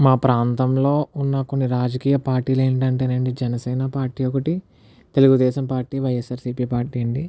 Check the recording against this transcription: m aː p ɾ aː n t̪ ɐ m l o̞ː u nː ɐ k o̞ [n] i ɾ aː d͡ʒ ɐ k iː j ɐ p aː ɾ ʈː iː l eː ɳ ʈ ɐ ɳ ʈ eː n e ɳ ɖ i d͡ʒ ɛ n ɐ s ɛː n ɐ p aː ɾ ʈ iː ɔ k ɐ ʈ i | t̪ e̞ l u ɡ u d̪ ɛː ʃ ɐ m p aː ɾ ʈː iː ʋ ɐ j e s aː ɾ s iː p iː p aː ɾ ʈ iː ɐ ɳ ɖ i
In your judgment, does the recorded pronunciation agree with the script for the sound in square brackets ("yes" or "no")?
no